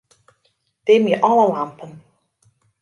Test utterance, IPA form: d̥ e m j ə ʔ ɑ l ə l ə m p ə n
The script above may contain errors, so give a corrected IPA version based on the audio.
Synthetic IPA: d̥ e m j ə ʔ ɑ l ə l a m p ə n